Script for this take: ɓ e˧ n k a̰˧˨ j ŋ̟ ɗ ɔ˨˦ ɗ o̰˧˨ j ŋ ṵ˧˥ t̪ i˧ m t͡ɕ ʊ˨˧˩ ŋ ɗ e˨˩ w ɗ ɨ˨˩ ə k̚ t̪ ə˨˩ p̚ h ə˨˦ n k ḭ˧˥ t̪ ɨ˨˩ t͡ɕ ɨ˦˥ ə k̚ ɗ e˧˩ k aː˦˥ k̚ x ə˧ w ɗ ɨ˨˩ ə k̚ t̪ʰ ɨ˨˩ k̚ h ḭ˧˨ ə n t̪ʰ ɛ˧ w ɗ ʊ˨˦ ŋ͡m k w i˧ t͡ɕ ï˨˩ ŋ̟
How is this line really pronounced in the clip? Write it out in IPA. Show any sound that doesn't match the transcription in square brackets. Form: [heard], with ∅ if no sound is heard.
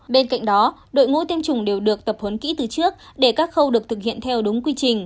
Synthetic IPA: ɓ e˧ n k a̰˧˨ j ŋ̟ ɗ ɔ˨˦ ɗ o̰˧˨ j ŋ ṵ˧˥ t̪ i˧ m t͡ɕ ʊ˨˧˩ [ŋ͡m] ɗ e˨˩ w ɗ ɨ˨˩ ə k̚ t̪ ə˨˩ p̚ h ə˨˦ n k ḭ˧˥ t̪ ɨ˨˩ t͡ɕ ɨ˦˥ ə k̚ ɗ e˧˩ k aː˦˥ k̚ x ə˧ w ɗ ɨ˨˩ ə k̚ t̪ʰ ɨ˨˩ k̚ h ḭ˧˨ ə n t̪ʰ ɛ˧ w ɗ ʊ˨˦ ŋ͡m k w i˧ t͡ɕ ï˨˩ ŋ̟